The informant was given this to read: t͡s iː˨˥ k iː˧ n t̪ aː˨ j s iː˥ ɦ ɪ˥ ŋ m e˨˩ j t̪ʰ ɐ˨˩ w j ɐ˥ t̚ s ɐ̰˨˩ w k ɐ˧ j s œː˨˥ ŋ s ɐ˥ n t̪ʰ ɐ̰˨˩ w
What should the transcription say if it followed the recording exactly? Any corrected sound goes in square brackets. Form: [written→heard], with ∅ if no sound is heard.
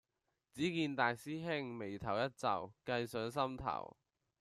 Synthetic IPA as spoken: t͡s iː˨˥ k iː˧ n t̪ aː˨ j s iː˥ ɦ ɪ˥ ŋ m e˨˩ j t̪ʰ ɐ˨˩ w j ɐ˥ t̚ [s→t͡s] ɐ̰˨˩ w k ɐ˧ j s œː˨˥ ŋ s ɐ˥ [n→m] t̪ʰ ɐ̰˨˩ w